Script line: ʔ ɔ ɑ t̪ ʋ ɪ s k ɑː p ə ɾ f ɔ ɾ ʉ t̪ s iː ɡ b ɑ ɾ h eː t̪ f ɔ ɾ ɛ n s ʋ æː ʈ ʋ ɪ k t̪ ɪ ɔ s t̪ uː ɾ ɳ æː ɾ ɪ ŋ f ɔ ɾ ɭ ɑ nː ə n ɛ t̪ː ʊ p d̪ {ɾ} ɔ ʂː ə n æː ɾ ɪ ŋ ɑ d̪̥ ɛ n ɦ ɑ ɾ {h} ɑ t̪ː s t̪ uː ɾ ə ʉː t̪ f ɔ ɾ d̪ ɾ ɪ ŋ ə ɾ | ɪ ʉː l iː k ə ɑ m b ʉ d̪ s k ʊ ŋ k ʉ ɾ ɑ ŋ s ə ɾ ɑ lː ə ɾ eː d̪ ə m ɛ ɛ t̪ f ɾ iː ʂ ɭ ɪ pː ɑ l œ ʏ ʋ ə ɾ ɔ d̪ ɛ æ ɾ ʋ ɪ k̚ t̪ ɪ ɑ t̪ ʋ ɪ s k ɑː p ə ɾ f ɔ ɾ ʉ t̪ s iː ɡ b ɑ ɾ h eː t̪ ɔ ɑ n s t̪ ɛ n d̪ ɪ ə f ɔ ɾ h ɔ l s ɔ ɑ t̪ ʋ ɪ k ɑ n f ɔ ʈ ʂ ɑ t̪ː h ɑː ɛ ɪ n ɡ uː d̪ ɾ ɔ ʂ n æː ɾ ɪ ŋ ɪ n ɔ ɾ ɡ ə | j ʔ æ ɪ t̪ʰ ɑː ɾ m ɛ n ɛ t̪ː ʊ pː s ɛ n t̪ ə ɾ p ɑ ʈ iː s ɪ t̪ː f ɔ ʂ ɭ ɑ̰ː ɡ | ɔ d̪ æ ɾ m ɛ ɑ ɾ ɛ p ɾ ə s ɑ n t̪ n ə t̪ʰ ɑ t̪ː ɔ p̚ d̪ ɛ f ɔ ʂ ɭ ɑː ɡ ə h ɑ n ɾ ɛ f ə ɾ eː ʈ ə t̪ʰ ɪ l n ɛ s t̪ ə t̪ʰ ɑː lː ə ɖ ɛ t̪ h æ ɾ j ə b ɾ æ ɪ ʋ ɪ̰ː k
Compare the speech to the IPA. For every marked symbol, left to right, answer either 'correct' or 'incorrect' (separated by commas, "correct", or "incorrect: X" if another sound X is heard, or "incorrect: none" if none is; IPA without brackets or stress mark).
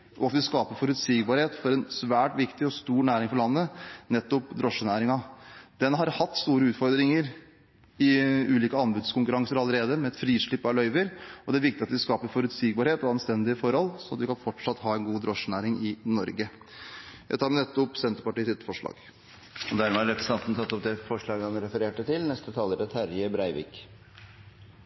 correct, correct